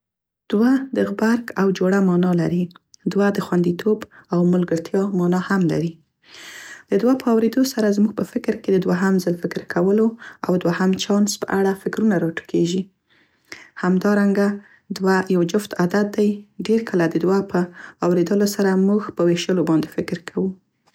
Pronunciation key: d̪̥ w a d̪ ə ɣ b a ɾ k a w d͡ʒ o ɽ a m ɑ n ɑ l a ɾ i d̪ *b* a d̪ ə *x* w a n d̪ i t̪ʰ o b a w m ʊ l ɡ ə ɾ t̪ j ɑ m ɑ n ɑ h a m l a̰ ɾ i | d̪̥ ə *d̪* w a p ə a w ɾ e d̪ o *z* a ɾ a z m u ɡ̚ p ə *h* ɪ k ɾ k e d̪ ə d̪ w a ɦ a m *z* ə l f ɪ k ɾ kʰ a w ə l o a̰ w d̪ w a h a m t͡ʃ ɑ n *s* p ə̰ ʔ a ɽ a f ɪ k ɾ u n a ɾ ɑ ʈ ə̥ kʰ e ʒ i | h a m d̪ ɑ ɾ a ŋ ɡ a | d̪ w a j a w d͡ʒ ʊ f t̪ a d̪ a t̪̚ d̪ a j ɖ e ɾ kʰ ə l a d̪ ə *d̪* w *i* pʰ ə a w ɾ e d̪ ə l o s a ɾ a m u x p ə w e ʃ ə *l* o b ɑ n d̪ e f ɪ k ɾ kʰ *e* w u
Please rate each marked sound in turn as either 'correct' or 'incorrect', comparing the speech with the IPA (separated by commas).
incorrect, correct, correct, incorrect, incorrect, correct, correct, correct, incorrect, correct, incorrect